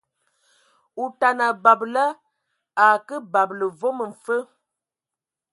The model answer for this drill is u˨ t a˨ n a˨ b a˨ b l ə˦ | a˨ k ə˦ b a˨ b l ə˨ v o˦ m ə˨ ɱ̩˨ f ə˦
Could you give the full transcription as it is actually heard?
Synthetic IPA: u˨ t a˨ n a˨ b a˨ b l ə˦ | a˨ k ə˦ b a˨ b l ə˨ v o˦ m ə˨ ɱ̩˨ f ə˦